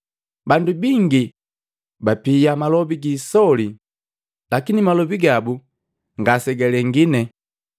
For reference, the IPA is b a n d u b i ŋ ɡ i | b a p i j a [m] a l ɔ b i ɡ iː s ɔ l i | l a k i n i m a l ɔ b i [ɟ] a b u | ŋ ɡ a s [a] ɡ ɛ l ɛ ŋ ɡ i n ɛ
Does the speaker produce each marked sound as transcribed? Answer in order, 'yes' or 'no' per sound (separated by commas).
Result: yes, no, no